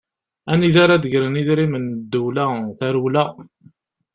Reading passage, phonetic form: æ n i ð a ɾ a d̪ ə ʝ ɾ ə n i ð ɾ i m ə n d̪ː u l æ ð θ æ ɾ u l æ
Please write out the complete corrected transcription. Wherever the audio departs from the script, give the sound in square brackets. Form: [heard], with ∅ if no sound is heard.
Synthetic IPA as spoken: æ n i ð a ɾ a d̪ ə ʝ ɾ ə n i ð ɾ i m ə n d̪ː u l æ [∅] θ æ ɾ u l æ